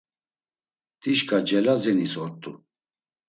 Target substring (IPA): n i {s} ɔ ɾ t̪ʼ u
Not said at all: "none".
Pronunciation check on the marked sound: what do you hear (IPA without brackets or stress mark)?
s